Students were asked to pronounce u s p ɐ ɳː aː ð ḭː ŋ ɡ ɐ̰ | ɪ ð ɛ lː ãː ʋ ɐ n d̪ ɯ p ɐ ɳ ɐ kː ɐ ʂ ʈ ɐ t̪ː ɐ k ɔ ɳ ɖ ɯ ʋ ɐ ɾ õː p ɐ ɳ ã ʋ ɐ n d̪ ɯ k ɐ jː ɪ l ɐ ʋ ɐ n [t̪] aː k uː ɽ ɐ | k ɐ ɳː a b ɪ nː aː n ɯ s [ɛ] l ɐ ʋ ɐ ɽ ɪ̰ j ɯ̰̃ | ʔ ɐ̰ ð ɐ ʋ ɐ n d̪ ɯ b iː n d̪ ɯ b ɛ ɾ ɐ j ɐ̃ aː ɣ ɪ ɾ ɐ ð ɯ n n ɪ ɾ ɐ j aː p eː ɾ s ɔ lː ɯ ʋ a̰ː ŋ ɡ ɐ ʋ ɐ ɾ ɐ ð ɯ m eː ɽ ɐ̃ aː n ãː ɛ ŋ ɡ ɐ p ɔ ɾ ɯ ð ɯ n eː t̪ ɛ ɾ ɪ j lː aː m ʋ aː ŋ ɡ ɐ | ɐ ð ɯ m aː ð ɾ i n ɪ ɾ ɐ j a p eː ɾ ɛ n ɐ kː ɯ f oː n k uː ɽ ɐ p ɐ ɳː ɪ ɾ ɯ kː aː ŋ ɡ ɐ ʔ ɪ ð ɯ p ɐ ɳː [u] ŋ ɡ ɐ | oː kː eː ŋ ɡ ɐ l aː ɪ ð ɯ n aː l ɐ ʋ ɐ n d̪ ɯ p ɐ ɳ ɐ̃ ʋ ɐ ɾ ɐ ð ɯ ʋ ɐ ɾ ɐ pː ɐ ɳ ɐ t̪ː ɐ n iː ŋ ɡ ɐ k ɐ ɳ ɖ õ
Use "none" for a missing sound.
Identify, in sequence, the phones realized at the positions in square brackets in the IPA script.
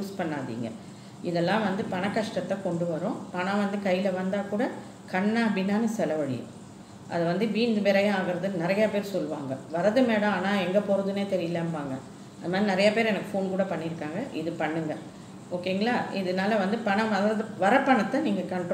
d̪, ɛ, ɯ

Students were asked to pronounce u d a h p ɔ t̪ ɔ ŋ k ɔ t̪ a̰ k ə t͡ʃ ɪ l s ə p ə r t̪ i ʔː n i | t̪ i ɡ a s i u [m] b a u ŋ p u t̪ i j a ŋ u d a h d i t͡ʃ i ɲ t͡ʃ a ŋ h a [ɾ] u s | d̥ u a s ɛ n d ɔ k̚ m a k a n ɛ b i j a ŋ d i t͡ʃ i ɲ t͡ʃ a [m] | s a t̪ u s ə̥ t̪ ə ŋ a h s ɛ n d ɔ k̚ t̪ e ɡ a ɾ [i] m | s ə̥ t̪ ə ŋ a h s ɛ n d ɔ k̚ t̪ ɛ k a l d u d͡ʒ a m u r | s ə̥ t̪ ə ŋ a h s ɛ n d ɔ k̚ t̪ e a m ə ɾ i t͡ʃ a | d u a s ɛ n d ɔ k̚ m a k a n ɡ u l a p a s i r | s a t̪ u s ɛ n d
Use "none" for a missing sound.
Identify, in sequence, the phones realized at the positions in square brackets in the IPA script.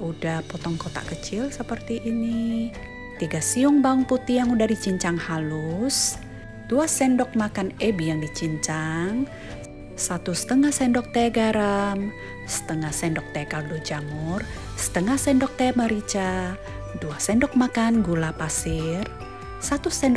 ŋ, l, ŋ, a

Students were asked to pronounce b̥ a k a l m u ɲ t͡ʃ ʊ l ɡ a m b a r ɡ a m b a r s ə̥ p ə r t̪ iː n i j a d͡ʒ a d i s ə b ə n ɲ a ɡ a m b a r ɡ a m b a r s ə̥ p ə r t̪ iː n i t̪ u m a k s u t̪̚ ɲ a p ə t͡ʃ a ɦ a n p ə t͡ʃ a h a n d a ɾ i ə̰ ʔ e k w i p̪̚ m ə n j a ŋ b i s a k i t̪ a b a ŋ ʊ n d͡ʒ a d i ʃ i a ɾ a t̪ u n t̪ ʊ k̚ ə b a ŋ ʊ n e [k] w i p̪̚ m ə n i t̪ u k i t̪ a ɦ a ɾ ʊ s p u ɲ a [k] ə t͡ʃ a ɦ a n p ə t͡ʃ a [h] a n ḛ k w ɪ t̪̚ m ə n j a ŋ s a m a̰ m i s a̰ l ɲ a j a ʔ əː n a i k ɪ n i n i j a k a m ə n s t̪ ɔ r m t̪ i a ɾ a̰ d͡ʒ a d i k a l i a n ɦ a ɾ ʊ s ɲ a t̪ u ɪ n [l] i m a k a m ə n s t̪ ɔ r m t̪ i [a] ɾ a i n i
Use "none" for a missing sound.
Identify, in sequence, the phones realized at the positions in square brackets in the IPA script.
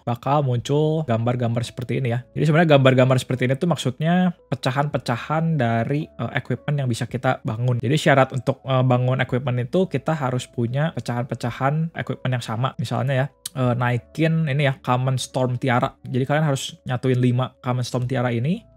k, p, h, l, a

